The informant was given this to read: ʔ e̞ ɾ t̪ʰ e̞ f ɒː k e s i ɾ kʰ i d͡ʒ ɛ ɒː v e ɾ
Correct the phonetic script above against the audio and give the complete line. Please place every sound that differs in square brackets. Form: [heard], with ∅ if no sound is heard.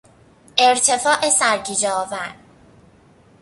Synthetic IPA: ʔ e̞ ɾ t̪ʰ e̞ f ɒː [ʔ] e s [æ] ɾ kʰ i d͡ʒ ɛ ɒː v [æ] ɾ